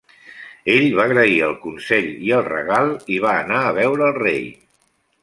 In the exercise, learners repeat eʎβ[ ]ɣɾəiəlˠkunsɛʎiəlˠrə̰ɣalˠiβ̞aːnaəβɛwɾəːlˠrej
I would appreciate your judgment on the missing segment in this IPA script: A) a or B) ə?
A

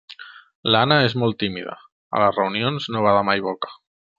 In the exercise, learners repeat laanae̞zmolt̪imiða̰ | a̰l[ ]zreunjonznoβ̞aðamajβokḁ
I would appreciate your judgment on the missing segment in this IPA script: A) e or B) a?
B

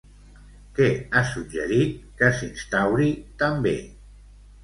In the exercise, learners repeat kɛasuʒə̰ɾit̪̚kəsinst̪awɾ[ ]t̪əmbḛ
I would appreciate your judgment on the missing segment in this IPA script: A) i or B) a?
A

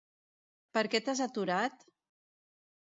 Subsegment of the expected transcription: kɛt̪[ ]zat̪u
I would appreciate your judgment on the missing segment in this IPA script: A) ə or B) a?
B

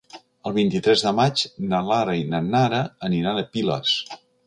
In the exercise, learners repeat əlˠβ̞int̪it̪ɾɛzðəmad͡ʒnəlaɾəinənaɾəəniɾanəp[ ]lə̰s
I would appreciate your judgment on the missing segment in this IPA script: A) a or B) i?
B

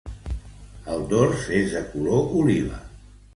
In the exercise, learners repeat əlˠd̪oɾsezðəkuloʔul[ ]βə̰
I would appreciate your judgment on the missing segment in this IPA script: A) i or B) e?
A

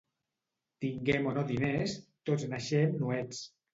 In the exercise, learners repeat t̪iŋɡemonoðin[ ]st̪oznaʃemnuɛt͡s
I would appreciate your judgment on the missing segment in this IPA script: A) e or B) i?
A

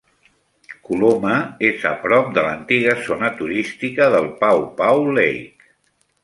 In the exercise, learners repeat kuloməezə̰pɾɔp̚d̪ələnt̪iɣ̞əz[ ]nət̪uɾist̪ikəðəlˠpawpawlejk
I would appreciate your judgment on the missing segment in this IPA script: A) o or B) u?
A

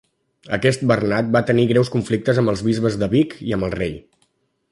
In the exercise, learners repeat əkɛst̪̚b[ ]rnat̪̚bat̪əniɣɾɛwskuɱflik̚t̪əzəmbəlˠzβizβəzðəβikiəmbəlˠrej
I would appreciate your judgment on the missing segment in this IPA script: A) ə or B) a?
A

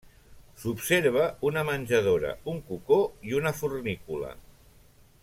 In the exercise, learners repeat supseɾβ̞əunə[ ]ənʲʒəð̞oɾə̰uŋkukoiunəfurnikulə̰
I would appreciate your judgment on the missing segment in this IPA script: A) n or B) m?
B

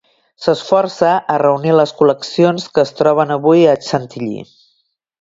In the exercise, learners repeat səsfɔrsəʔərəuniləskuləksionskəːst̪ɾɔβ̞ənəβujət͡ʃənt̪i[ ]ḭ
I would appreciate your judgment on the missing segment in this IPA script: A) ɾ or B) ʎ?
B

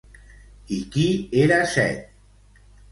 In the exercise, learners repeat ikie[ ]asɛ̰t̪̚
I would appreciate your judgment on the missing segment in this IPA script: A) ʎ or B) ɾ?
B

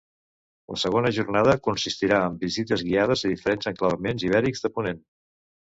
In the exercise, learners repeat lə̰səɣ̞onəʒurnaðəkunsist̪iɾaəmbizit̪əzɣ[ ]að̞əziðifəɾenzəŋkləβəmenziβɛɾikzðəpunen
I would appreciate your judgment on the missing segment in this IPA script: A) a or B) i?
B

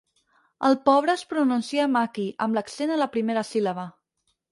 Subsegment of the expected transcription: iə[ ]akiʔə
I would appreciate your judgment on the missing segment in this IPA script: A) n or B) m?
B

